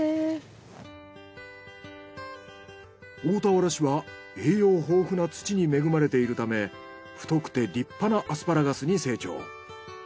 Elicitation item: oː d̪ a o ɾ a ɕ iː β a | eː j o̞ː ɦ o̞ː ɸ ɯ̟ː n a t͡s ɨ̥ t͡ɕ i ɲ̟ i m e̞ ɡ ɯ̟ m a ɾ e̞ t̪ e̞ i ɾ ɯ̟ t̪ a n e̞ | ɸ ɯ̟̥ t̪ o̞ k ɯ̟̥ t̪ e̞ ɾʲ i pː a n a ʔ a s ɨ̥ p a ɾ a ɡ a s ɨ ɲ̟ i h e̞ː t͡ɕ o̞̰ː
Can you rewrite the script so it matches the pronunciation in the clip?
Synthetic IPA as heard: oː t̪ a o ɾ a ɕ i β a | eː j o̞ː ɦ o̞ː ɸ ɯ̟ n a t͡s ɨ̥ t͡ɕ i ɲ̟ i m e̞ ɡ ɯ̟ m a ɾ e̞ t̪ e̞ i ɾ ɯ̟ t̪ a m e̞ | ɸ ɯ̟̥ t̪ o̞ k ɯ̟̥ t̪ e̞ ɾʲ i pː a n a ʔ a s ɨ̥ p a ɾ a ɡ a s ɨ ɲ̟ i s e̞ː t͡ɕ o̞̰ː